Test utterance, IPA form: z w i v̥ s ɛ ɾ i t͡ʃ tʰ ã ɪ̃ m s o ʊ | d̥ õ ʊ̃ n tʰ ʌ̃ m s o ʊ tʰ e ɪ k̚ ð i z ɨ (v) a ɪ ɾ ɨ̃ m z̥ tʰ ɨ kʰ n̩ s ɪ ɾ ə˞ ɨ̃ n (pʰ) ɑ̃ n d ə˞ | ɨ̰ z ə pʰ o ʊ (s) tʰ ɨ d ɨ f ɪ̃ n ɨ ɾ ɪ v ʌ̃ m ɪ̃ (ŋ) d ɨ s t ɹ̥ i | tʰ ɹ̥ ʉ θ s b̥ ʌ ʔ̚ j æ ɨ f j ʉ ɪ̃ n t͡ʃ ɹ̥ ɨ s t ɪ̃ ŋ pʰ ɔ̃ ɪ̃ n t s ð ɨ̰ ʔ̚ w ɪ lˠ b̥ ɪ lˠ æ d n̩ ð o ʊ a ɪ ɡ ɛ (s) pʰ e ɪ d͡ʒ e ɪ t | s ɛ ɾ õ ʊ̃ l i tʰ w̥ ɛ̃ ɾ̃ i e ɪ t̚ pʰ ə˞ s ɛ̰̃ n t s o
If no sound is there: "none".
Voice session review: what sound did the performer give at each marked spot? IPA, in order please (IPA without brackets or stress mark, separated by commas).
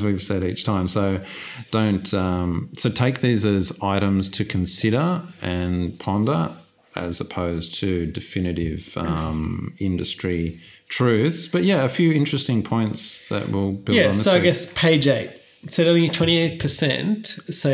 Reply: z, pʰ, z, n, s